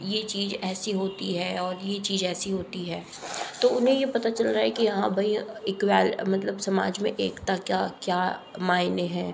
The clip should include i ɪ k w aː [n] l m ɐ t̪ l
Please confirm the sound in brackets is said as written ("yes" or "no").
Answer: no